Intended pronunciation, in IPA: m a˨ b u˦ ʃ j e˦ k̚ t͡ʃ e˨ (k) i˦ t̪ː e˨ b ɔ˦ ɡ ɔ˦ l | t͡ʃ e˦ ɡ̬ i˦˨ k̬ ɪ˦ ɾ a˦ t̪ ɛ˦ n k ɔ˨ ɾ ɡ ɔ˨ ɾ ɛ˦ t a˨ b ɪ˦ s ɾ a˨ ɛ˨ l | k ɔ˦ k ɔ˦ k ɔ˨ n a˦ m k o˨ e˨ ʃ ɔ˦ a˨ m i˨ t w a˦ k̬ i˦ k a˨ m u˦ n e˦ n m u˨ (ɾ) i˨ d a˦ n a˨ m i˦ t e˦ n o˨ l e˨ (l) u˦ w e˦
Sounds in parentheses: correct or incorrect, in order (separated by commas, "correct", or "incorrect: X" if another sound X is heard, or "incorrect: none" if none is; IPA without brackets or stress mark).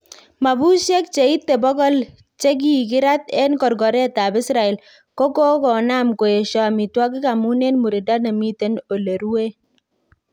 incorrect: none, correct, incorrect: ɾ